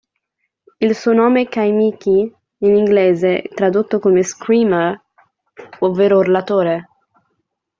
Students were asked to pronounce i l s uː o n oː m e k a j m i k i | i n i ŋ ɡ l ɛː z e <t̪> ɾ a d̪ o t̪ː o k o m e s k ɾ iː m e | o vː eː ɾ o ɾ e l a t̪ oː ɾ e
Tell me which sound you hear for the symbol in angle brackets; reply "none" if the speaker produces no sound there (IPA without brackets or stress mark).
t̪